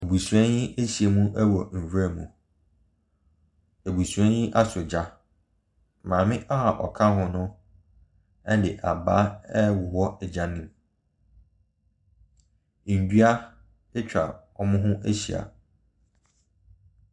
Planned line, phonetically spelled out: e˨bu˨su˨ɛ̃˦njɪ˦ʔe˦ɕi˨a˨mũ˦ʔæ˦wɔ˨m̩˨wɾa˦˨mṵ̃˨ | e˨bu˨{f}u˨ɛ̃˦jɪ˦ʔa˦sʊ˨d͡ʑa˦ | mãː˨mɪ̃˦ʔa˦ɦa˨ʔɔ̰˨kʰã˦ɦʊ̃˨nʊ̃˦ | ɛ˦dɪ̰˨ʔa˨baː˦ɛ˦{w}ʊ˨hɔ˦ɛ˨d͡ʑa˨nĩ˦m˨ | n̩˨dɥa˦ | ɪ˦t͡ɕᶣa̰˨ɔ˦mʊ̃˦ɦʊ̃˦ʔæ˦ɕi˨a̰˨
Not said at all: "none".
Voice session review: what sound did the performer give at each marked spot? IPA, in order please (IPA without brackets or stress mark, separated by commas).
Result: s, w